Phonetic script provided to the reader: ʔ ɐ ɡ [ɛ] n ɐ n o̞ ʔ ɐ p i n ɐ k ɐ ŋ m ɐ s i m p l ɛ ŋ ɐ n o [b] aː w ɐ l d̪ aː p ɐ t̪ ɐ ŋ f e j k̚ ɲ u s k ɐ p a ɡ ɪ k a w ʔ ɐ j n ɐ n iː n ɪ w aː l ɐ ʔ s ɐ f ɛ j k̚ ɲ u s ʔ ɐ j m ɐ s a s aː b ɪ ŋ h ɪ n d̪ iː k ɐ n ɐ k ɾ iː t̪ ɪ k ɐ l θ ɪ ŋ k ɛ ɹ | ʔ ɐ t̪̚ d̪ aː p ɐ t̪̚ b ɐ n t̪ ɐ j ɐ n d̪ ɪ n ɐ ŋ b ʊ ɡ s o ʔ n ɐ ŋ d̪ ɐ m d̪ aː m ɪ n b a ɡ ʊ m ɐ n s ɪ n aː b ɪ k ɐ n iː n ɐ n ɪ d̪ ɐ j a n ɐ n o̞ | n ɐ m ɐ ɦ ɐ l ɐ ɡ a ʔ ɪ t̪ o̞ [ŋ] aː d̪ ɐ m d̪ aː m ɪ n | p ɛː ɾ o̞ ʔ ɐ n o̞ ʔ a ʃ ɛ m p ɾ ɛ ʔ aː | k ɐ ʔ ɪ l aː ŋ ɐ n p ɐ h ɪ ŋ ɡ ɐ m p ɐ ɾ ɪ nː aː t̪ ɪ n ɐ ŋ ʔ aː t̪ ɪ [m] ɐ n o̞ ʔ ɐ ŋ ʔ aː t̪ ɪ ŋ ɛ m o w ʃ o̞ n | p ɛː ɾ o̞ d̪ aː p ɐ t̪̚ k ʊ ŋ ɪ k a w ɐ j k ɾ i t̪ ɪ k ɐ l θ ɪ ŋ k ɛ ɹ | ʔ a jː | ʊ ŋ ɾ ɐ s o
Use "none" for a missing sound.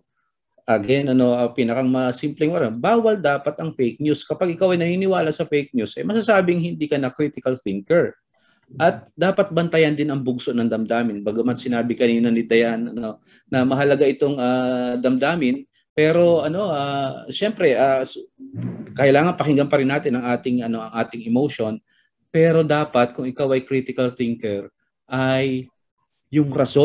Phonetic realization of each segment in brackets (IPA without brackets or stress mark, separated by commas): ɛ, b, ŋ, ŋ